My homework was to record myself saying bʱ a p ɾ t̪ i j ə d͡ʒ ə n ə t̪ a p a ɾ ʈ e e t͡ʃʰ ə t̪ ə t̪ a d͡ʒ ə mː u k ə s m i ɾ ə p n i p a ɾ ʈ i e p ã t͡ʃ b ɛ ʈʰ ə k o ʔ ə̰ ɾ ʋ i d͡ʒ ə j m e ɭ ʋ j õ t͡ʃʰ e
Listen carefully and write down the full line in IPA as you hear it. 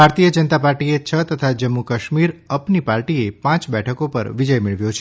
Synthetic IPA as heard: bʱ a ɾ t̪ i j ə d͡ʒ ə n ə t̪ a p a ɾ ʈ i e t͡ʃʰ ə t̪ ə t̪ʰ a d͡ʒ ə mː u k ə ʃ m i ɾ ə p n i p a ɾ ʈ i e p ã t͡ʃ b ɛ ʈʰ ə k o p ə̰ ɾ ʋ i d͡ʒ ə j m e ɭ ʋ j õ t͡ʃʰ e

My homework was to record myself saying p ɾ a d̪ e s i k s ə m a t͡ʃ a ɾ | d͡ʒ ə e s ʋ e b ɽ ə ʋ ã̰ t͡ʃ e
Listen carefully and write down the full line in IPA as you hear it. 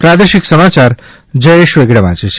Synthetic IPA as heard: p ɾ a d̪ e ʃ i k s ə m a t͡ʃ a ɾ | d͡ʒ ə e ʃ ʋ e ɡ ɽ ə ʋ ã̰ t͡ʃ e

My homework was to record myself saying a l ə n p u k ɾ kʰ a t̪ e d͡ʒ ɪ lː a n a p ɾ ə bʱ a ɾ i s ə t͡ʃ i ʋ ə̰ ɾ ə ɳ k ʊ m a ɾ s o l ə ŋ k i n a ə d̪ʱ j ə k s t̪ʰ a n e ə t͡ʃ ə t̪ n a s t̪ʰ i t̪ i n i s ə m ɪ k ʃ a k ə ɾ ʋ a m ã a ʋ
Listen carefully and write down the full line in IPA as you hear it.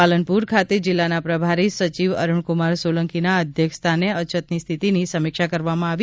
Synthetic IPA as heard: a l ə n p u ɾ kʰ a t̪ e d͡ʒ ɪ lː a n a p ɾ ə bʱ a ɾ i s ə t͡ʃ i ʋ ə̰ ɾ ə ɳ k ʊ m a ɾ s o l ə ŋ k i n a ə d̪ʱ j ə k s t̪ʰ a n e ə t͡ʃ ə t̪ n i s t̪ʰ i t̪ i n i s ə m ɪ k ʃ a k ə ɾ ʋ a m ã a ʋ

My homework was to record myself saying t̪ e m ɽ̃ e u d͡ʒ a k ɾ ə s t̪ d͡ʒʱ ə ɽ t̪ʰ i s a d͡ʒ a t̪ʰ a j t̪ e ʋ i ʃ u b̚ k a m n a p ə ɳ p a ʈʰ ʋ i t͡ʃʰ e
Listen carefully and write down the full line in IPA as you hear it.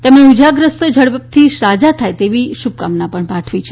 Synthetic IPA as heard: t̪ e m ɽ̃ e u d͡ʒ a ɡ ɾ ə s t̪ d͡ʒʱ ə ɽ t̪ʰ i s a d͡ʒ a t̪ʰ a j t̪ e ʋ i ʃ u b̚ k a m n a p ə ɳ p a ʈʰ ʋ i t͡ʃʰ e

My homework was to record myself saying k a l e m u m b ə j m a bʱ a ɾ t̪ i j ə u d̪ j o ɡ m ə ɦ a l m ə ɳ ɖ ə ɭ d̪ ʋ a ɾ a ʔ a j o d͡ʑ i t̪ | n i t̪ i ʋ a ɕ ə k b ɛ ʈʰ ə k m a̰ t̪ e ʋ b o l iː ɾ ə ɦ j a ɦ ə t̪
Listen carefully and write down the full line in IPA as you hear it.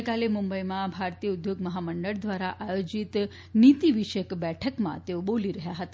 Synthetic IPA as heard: k a l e m u m b ə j m a bʱ a ɾ t̪ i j ə u d̪ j o ɡ m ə ɦ a m ə ɳ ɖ ə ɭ d̪ ʋ a ɾ a ʔ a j o d͡ʑ i t̪ | n i t̪ i ʋ i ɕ ə k b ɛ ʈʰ ə k m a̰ t̪ e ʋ b o l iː ɾ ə ɦ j a ɦ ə t̪

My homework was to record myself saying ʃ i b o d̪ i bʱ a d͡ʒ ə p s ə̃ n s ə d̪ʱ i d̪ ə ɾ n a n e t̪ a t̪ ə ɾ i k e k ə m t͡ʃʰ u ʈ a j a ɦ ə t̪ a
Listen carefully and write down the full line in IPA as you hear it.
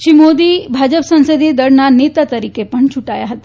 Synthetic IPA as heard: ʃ i m o d̪ i bʱ a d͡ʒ ə p s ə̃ n s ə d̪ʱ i d̪ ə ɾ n a n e t̪ a t̪ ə ɾ i k e p ə ɳ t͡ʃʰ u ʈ a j a ɦ ə t̪ a

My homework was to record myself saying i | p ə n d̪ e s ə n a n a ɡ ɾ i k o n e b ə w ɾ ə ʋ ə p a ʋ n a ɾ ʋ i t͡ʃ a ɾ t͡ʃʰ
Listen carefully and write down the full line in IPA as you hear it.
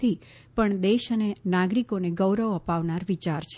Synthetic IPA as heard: i | p ə ɳ d̪ e ʃ ə n e n a ɡ ɾ i k o n e ɡ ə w ɾ ə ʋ ə p a ʋ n a ɾ ʋ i t͡ʃ a ɾ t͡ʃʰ

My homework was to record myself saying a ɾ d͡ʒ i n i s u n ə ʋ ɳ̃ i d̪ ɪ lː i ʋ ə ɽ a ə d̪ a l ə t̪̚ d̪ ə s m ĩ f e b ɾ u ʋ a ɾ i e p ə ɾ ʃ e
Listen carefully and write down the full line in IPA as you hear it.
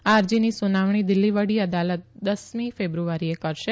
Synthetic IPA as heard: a ɾ d͡ʒ i n i s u n a ʋ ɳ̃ i d̪ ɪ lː i ʋ ə ɽ i ə d̪ a l ə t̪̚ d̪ ə s m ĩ f e b ɾ u ʋ a ɾ i e k ə ɾ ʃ e

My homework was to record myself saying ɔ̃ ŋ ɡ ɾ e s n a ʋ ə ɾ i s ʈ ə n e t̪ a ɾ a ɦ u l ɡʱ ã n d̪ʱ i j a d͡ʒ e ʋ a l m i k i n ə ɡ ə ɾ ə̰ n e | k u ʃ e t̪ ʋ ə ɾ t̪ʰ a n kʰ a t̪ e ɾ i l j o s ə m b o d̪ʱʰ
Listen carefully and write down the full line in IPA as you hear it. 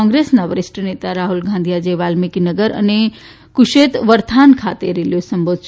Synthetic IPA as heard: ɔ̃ ŋ ɡ ɾ e s n a ʋ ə ɾ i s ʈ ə n e t̪ a ɾ a ɦ u l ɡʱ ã n d̪ʱ i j a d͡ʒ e ʋ a l m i k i n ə ɡ ə ɾ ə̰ n e | k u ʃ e t̪ ʋ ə ɾ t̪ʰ a n kʰ a t̪ e ɾ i l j o s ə m b o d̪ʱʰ

